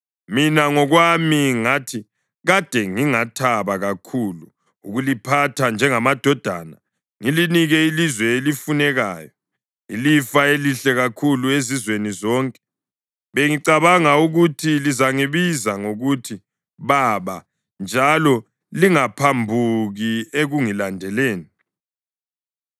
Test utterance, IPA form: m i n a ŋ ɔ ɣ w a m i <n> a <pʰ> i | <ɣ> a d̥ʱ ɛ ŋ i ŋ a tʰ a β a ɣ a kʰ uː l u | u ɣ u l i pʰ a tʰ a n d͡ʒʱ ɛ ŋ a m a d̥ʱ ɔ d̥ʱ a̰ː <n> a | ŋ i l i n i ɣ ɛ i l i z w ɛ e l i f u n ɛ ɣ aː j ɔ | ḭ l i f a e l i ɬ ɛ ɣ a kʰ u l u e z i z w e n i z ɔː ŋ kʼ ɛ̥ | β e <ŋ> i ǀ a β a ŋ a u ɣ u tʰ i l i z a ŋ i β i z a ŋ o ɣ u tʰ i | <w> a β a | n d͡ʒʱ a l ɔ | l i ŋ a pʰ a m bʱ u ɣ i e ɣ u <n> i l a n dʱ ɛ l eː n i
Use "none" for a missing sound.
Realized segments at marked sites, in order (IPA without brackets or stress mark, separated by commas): ŋ, tʰ, ɣ, n, ŋ, β, ŋ